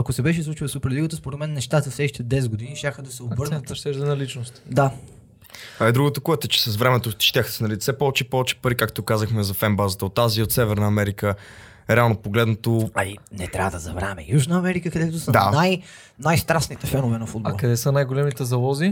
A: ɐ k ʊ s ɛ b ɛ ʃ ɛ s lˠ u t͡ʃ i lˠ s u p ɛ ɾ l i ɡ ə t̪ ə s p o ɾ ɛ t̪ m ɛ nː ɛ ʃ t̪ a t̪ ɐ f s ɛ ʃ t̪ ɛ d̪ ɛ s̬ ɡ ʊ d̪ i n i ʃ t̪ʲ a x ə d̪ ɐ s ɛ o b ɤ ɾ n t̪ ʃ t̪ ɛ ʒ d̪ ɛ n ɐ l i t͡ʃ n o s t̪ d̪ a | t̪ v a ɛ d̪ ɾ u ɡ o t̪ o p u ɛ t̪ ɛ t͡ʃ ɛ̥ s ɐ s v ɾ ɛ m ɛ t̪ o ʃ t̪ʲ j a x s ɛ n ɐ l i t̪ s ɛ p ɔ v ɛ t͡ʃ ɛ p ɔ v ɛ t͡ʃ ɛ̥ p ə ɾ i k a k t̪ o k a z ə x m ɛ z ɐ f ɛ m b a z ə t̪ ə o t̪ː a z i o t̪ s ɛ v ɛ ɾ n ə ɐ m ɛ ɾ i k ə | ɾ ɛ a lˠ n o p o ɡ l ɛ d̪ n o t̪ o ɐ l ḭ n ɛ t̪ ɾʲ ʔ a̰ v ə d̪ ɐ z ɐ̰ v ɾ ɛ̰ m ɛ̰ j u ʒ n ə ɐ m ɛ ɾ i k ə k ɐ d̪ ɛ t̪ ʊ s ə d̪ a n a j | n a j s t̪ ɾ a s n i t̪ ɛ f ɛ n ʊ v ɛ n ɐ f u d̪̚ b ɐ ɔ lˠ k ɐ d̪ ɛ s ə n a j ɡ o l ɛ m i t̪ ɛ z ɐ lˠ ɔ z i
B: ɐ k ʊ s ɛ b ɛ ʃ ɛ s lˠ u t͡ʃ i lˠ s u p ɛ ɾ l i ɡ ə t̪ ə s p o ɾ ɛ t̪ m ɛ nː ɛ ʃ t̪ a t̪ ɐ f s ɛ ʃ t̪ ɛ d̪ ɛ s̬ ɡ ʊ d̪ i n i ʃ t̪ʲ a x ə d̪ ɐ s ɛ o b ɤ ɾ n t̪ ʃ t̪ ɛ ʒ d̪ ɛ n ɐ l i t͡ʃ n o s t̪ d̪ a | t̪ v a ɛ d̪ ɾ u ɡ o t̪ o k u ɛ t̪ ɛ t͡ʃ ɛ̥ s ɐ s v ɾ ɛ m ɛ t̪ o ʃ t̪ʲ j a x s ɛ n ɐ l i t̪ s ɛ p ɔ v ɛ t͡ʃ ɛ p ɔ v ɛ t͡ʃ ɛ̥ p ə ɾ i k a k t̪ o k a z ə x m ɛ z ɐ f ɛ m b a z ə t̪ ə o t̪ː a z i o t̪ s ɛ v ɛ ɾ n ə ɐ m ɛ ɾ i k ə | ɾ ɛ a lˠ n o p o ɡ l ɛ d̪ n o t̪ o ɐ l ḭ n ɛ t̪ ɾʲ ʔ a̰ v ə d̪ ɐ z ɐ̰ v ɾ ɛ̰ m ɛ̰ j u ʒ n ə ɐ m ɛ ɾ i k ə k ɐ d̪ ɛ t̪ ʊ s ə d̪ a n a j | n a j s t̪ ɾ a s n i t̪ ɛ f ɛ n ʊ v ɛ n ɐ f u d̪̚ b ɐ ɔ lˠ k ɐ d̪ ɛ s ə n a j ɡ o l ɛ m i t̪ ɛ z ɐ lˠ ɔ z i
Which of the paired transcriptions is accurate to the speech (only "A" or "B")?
B